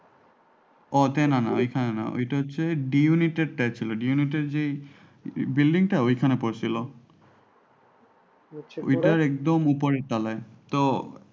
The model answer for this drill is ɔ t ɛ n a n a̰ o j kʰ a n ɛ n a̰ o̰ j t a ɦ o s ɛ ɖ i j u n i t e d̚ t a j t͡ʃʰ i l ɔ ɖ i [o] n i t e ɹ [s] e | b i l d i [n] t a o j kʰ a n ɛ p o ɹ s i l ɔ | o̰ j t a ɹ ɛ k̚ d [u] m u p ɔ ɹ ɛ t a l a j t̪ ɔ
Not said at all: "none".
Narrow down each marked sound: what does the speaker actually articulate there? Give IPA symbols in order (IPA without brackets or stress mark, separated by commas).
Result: u, z, ŋ, ɔ